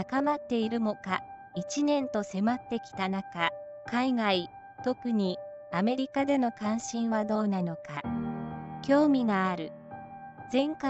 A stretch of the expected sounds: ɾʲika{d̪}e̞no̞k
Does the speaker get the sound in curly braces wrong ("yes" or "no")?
no